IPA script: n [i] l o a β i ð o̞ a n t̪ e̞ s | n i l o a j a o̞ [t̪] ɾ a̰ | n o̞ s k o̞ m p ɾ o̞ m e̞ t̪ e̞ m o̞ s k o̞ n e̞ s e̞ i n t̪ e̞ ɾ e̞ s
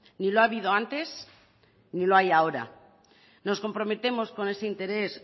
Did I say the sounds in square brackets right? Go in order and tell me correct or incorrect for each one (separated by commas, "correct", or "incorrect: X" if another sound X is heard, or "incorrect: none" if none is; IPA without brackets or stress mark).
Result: correct, incorrect: none